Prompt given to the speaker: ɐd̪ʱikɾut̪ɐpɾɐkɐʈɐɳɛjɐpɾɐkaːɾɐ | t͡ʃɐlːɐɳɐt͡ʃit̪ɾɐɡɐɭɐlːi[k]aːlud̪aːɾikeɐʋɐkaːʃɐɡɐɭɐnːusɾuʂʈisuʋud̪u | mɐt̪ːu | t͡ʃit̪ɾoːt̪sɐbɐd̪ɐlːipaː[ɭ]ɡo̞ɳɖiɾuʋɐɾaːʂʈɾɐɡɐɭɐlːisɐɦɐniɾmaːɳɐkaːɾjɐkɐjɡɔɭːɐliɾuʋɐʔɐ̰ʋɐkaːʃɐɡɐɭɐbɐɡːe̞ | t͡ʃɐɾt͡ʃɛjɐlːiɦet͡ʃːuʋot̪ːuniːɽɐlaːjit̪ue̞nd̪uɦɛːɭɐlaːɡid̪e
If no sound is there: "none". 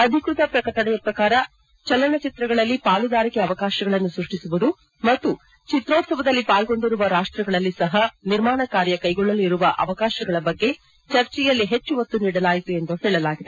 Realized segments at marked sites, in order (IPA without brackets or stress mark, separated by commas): p, l